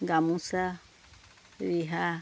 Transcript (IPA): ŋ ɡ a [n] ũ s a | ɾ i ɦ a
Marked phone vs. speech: incorrect: m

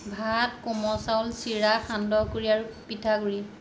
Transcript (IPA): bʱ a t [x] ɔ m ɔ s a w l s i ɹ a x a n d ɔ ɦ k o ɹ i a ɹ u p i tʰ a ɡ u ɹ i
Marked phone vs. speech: incorrect: k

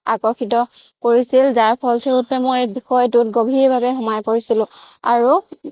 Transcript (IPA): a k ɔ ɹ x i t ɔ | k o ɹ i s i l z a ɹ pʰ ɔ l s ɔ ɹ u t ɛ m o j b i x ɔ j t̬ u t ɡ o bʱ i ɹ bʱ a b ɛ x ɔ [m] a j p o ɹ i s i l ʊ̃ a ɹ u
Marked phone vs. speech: correct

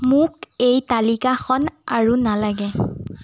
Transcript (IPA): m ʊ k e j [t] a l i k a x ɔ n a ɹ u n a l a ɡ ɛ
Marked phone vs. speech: correct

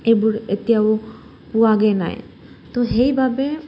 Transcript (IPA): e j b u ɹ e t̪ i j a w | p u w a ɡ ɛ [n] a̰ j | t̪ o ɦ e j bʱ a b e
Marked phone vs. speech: correct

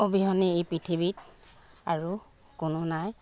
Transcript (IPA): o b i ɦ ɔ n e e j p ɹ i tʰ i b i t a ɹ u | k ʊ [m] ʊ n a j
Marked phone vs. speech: incorrect: n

